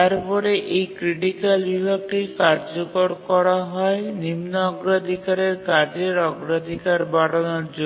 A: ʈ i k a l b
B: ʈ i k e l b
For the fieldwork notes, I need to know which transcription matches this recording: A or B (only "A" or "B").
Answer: A